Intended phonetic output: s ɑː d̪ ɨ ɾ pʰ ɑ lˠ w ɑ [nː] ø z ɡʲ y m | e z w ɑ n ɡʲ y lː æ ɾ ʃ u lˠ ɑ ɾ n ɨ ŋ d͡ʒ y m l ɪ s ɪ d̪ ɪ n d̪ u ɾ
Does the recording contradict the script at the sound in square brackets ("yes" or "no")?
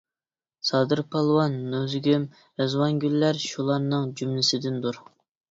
no